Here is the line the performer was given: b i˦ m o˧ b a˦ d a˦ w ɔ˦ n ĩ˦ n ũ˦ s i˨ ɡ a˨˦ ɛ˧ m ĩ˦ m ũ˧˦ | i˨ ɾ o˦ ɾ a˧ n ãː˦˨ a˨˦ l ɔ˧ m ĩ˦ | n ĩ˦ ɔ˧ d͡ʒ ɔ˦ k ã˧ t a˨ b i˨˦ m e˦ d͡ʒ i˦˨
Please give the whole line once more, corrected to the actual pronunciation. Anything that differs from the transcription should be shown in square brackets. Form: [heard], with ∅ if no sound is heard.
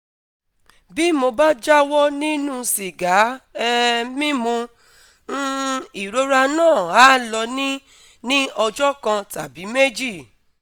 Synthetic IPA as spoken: b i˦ m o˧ b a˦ [d͡ʒ] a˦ w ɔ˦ n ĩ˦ n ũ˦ s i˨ ɡ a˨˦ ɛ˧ m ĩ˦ m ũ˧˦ | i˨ ɾ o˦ ɾ a˧ n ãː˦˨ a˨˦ l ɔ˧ [n] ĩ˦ | n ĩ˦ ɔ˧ d͡ʒ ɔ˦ k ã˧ t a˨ b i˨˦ m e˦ d͡ʒ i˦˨

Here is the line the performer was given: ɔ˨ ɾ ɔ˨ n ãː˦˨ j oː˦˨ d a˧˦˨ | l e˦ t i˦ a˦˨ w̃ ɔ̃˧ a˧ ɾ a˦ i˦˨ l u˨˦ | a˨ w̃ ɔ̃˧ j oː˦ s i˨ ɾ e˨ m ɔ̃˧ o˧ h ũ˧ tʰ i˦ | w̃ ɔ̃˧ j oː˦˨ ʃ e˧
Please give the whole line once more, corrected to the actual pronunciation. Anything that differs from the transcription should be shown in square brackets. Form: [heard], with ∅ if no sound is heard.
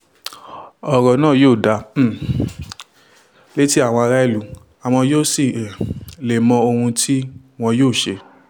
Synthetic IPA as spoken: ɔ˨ ɾ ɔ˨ n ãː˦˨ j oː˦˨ d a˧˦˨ | l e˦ t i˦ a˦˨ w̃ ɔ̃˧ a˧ ɾ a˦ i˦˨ l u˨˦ | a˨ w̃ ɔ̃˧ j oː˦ s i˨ [l] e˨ m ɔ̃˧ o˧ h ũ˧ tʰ i˦ | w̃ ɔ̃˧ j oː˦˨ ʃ e˧

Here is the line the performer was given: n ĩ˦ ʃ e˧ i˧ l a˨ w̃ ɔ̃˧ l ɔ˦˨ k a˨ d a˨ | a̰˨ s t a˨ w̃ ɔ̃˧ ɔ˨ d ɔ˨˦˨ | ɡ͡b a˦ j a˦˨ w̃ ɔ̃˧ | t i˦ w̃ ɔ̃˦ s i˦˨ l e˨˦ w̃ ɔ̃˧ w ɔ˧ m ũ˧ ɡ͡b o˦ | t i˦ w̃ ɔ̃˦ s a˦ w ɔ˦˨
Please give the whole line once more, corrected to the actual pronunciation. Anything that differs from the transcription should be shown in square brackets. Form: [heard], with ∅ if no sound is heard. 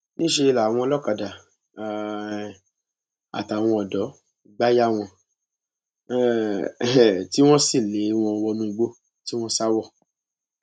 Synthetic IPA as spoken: n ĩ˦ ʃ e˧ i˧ l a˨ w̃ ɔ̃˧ l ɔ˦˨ k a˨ d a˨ | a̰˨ [∅] t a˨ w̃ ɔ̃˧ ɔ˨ d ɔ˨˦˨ | ɡ͡b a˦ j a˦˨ w̃ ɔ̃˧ | t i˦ w̃ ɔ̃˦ s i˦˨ l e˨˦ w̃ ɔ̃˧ w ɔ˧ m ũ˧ ɡ͡b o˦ | t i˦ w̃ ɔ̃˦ s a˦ w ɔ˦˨

